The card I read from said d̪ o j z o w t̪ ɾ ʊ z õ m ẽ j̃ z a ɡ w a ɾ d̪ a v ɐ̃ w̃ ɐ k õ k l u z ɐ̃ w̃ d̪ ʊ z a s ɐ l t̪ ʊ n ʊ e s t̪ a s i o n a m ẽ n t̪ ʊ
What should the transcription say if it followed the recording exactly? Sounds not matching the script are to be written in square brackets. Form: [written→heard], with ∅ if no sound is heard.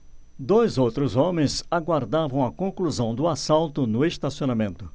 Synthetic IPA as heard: d̪ o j z o w t̪ ɾ ʊ z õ m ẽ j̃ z a ɡ w a ɾ d̪ a v ɐ̃ w̃ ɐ k õ k l u z ɐ̃ w̃ d̪ ʊ [z→∅] a s [ɐ→a] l t̪ ʊ n ʊ e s t̪ a s i o n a m ẽ n t̪ ʊ